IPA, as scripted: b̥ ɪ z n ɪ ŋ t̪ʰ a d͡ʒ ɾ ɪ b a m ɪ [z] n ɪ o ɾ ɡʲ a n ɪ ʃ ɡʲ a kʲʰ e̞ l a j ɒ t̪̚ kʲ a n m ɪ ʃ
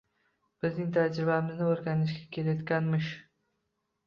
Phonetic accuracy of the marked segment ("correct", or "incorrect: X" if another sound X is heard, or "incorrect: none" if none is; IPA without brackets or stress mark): correct